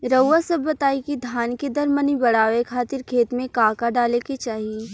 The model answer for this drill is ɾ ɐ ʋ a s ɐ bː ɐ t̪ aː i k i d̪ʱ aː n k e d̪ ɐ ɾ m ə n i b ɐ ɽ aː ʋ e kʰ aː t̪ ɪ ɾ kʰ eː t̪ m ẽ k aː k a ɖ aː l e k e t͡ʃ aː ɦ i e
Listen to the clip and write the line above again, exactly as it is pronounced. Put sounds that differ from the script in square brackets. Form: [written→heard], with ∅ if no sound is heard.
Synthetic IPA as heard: ɾ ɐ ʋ a s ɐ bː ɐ t̪ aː i k i d̪ʱ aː n k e d̪ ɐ ɾ m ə n i b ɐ ɽ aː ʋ e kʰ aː t̪ ɪ ɾ kʰ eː t̪ m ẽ k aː k a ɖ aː l e k e t͡ʃ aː ɦ i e